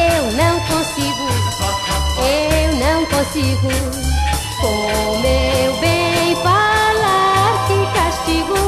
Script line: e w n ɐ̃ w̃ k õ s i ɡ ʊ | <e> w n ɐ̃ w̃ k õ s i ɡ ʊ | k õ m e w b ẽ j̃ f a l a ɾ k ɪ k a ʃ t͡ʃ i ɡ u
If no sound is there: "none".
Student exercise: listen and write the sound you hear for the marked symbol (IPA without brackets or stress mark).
e